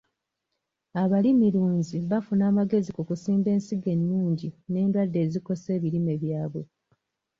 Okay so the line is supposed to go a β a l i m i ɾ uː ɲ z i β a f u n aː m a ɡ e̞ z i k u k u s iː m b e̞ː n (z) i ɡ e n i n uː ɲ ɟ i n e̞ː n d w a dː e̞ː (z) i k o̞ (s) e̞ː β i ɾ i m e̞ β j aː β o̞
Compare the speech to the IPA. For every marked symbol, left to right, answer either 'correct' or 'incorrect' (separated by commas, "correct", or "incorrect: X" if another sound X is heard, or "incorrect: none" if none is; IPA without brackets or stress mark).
incorrect: s, correct, correct